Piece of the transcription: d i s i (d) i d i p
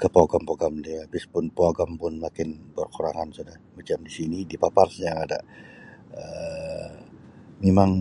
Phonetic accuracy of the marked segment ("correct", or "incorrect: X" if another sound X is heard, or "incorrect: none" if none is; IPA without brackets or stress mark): incorrect: n